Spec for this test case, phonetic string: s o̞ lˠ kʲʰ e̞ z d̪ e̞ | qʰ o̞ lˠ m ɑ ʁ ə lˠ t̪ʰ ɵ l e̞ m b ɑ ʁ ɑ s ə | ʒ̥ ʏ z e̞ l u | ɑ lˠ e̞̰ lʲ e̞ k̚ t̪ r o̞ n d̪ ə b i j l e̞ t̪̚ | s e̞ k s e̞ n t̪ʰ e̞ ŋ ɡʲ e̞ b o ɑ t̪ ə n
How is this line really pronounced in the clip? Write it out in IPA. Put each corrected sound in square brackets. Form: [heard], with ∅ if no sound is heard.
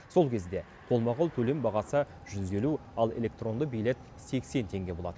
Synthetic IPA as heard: s o̞ lˠ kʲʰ e̞ z d̪ e̞ | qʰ o̞ lˠ m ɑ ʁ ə lˠ t̪ʰ ɵ l e̞ m b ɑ ʁ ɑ s ə | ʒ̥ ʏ z e̞ l u | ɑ lˠ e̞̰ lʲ e̞ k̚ t̪ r o̞ n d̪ ə b i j l e̞ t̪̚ | s e̞ k s e̞ n t̪ʰ e̞ ŋ ɡʲ e̞ b o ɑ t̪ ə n